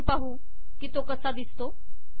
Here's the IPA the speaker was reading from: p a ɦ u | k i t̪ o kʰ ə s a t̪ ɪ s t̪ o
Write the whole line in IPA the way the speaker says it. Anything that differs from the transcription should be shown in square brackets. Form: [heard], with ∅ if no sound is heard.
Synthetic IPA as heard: p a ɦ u | k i t̪ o [k] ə s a [d̪] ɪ s t̪ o